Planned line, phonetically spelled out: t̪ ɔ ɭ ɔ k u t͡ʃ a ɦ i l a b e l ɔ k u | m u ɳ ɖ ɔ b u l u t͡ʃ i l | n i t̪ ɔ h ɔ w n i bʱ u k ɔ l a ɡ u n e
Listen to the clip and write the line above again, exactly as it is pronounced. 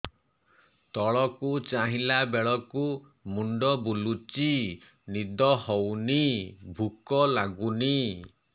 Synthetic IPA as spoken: t̪ ɔ ɭ ɔ k u t͡ʃ a ɦ i l a b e ɭ ɔ k u | m u ɳ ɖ ɔ b u l u t͡ʃ i | n i d̪ ɔ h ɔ w n i bʱ u k ɔ l a ɡ u n i